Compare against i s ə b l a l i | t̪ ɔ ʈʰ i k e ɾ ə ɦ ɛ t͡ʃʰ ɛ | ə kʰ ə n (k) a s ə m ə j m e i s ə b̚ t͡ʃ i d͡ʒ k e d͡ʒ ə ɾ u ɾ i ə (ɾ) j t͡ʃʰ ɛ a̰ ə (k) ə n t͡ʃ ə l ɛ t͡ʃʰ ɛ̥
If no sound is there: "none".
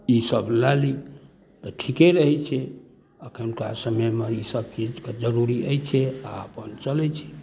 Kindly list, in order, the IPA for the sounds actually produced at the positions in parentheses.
k, none, p

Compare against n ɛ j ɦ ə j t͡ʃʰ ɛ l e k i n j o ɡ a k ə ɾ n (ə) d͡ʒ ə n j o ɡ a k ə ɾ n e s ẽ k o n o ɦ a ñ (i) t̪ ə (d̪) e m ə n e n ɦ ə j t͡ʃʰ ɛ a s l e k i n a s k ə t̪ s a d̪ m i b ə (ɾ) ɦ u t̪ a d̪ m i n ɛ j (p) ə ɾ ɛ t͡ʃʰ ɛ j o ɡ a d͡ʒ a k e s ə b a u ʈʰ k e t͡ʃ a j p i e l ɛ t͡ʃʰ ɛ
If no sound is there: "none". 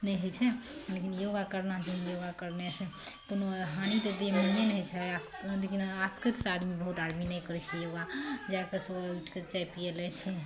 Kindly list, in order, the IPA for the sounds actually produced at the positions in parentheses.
a, i, d̪, none, k

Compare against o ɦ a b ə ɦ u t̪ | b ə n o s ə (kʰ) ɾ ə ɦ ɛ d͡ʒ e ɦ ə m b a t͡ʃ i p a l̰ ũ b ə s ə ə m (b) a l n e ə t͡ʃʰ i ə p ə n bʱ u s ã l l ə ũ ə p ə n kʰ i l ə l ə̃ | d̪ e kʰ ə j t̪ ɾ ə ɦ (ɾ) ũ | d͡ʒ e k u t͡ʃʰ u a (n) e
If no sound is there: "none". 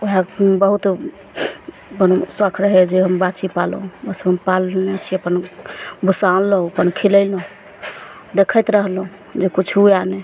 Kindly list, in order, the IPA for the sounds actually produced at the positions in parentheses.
kʰ, p, l, n

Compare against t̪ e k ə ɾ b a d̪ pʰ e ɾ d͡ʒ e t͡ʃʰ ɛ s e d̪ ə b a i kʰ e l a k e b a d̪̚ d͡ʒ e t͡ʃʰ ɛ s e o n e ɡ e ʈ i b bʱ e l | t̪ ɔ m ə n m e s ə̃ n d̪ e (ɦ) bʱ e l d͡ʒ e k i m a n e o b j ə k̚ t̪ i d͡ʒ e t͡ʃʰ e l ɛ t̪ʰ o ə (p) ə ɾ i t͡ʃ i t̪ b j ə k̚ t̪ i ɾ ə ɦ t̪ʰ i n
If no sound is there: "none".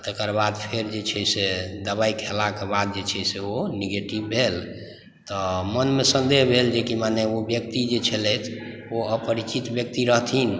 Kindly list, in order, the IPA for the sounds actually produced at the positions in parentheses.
ɦ, p

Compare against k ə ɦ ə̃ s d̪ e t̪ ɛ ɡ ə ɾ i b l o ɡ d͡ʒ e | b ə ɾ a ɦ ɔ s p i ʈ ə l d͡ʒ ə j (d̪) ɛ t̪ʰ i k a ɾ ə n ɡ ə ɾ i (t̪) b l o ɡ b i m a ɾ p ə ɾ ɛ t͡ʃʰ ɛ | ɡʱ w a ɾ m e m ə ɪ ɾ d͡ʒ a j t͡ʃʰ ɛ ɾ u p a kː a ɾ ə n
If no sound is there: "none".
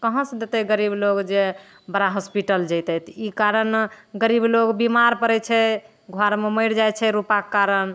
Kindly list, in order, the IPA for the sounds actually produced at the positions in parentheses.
t̪, none

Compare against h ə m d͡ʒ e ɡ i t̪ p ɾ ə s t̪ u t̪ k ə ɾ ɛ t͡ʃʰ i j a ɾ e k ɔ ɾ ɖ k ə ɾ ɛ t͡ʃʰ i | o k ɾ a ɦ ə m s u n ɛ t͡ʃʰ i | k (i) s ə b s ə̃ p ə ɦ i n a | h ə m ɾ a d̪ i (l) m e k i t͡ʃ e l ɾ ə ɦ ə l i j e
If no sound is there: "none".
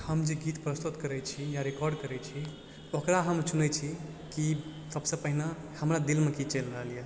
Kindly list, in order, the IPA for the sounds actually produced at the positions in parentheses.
i, l

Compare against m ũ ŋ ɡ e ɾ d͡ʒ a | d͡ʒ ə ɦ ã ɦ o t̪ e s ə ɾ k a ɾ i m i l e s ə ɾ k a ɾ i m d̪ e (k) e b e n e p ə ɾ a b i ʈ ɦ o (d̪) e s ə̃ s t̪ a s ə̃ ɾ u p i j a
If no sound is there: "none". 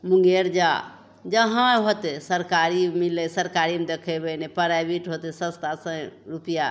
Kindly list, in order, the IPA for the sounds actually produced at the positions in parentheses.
kʰ, t̪

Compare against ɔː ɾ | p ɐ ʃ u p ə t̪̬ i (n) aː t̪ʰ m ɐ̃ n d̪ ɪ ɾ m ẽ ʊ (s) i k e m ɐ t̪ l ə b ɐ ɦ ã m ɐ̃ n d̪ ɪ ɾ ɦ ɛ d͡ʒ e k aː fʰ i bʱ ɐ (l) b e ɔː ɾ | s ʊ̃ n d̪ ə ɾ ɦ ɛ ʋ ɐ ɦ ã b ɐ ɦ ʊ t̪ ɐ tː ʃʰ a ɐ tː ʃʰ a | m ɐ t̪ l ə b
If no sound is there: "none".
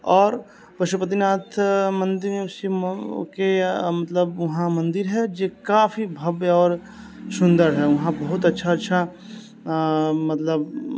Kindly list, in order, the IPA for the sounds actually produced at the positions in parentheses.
n, s, none

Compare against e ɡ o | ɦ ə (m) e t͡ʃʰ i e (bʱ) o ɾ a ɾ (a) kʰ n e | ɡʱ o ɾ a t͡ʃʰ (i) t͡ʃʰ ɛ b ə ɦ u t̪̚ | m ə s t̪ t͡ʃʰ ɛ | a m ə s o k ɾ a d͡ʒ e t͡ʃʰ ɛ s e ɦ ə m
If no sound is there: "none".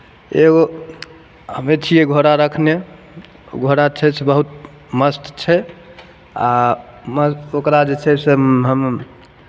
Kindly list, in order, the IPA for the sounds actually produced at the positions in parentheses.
m, ɡʱ, ə, ɛ

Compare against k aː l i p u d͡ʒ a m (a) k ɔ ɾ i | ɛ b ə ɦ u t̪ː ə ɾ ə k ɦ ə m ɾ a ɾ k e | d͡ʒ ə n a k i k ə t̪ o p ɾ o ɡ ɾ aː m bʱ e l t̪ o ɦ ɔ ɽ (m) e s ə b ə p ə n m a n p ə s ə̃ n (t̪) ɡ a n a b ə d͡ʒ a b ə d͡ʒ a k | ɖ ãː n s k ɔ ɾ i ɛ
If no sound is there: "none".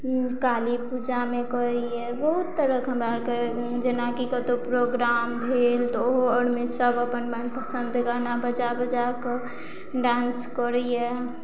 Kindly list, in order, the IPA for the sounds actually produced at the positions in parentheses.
e, m, d̪

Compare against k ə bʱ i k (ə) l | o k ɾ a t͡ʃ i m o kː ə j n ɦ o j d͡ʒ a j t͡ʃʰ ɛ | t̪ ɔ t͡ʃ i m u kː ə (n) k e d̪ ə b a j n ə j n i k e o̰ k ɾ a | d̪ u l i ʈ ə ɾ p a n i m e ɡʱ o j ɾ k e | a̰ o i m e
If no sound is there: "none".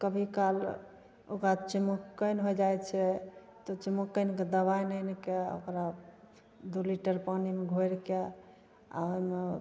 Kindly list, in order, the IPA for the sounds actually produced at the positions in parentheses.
a, n

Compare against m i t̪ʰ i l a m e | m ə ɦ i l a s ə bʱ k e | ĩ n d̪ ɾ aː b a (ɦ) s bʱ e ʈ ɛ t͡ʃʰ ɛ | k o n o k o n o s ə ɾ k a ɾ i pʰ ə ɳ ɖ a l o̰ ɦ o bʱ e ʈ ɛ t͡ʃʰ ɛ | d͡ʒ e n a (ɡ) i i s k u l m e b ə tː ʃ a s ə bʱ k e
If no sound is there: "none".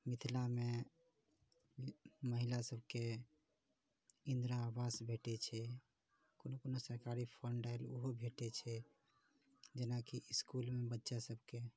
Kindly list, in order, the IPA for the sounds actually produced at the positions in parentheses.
none, k

